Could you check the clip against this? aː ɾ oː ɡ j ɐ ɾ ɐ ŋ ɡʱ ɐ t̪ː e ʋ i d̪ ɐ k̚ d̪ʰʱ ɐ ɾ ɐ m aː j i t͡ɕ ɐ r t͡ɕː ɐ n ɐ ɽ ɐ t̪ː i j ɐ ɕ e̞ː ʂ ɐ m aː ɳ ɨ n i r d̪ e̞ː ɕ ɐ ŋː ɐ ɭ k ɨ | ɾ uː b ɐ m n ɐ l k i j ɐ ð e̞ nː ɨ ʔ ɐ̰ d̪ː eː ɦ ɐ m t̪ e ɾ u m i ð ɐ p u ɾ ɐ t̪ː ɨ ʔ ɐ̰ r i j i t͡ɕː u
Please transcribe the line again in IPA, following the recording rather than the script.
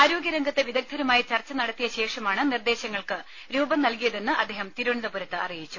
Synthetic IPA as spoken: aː ɾ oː ɡ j ɐ ɾ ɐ ŋ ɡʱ ɐ t̪ː e ʋ i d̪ ɐ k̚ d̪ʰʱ ɐ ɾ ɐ m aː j i t͡ɕ ɐ r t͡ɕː ɐ n ɐ ɽ ɐ t̪ː i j ɐ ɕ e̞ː ʂ ɐ m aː ɳ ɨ n i r d̪ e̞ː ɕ ɐ ŋː ɐ ɭ k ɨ | ɾ uː b ɐ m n ɐ l k i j ɐ ð e̞ nː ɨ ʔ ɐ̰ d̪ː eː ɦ ɐ m t̪ i ɾ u ɳ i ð ɐ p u ɾ ɐ t̪ː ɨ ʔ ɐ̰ r i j i t͡ɕː u